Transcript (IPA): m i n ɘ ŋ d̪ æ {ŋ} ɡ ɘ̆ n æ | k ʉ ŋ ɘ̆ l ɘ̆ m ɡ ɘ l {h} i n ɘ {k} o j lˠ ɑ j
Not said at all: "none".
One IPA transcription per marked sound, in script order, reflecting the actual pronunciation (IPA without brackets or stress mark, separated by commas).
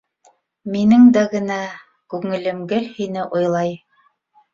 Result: none, h, ʔ